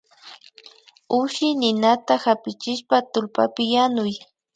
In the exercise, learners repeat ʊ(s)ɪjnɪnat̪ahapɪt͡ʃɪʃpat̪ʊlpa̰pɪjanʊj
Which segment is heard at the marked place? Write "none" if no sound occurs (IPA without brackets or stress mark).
ʃ